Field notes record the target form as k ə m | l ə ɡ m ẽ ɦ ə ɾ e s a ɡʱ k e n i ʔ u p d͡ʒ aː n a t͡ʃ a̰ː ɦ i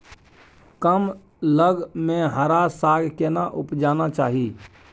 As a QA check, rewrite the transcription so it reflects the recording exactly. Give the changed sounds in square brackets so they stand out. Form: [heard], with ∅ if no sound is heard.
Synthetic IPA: k ə m | l ə ɡ m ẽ ɦ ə ɾ [a] s a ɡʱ k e n [a] ʔ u p d͡ʒ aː n a t͡ʃ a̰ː ɦ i